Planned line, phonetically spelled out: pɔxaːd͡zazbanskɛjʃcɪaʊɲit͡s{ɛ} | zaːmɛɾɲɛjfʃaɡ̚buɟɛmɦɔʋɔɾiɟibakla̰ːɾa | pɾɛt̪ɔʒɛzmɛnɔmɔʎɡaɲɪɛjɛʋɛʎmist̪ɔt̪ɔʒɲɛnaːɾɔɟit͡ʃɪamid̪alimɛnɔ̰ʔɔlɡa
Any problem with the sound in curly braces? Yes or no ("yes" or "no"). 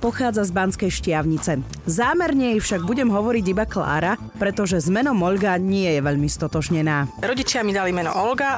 no